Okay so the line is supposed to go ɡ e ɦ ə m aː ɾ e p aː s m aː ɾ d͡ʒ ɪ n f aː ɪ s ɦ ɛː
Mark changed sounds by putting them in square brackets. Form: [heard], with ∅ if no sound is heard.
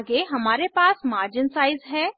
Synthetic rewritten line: ɡ e ɦ [ɐ] m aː ɾ e p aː s m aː ɾ d͡ʒ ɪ n [s] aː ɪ [z] ɦ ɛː